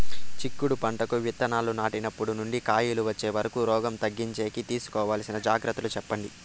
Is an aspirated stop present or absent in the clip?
absent